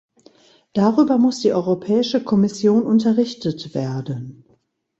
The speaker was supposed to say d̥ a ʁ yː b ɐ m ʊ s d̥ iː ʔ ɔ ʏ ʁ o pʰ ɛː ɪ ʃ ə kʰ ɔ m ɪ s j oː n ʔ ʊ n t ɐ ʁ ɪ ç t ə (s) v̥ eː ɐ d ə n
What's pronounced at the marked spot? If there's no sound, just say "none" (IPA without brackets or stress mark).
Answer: t